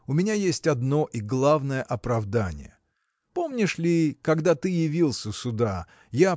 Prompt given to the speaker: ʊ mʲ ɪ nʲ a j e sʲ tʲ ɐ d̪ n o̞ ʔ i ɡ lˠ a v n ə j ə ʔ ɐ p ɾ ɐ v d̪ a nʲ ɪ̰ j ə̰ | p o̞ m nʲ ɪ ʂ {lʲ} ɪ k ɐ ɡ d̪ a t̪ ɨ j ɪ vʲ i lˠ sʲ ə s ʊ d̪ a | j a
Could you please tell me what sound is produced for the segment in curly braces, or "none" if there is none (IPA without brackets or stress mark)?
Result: lʲ